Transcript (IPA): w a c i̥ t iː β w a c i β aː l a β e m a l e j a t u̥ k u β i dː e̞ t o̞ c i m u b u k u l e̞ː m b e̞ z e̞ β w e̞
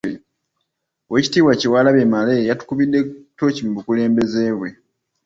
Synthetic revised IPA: w e c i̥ t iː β w a c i w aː l a β e m a l e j a t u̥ k u β i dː e̞ t o̞ c i m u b u k u l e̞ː m b e̞ z e̞ β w e̞